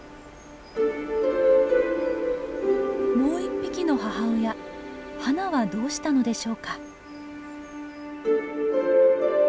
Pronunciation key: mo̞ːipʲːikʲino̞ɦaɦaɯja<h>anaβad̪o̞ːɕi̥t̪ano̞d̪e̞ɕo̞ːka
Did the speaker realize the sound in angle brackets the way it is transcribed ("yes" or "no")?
yes